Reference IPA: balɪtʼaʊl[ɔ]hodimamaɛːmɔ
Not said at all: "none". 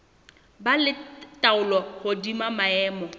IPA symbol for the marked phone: ɔ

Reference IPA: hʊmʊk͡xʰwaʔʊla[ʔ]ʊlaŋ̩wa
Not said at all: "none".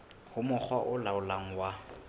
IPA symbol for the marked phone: none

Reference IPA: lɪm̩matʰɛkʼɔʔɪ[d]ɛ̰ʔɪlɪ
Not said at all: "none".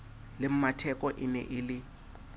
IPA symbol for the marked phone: n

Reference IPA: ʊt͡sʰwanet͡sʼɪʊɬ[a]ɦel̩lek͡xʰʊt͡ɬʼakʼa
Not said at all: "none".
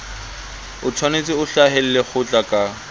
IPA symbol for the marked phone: a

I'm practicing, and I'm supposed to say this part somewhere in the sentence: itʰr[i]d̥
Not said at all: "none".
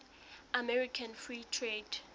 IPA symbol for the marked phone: e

